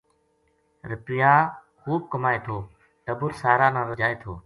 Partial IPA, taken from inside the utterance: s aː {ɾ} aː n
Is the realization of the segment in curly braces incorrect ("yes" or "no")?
no